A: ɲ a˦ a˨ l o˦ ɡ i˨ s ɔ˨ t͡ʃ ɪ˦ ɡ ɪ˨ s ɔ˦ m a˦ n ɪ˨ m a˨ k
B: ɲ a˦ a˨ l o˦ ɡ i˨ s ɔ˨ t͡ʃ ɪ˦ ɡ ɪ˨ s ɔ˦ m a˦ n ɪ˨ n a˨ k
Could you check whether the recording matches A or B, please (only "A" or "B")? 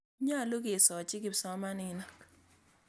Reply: B